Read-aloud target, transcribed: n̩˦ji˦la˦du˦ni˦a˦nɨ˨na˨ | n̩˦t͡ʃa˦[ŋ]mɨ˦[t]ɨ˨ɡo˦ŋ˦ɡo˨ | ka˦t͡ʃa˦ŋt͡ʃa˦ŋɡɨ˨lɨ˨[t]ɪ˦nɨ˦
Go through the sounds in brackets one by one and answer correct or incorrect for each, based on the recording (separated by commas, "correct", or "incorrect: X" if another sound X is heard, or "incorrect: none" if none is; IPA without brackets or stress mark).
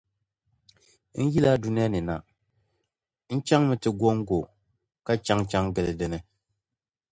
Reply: correct, correct, incorrect: d